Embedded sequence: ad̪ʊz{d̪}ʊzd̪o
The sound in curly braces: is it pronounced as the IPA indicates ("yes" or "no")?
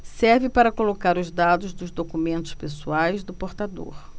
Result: yes